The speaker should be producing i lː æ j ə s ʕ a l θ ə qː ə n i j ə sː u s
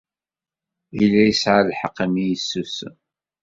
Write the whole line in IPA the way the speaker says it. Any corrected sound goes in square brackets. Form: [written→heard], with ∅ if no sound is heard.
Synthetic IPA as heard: i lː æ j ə s ʕ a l [θ→ħ] ə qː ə [n→m] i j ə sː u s